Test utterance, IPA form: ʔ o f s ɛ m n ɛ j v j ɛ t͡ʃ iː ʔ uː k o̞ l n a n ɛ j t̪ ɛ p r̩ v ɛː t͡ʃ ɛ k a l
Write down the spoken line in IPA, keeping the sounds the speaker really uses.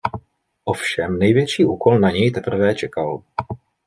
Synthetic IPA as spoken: ʔ o f ʃ ɛ m n ɛ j v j ɛ t͡ʃ iː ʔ uː k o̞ l n a ɲ ɛ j t̪ ɛ p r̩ v ɛː t͡ʃ ɛ k a l